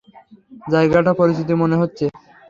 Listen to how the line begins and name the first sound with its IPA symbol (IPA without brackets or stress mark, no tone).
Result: d͡ʑ